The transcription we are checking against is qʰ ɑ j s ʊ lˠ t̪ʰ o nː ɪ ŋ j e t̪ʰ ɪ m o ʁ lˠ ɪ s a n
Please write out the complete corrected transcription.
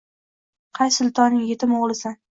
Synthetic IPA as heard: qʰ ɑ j s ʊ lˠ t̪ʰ ɒ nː ɪ ŋ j e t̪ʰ ɪ m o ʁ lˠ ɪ s a n